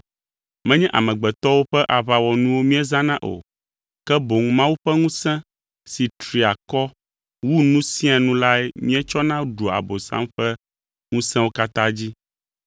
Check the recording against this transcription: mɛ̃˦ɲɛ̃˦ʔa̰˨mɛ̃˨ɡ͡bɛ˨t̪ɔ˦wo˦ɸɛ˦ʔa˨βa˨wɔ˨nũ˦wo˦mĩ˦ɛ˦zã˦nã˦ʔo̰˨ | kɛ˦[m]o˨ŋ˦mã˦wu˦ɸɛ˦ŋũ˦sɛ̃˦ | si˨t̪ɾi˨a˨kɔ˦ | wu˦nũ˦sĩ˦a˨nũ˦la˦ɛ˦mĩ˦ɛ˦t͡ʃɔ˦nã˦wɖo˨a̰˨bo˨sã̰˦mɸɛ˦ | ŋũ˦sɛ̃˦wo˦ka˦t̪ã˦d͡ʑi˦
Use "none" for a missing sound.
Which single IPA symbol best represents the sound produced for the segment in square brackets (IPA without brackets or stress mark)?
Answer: b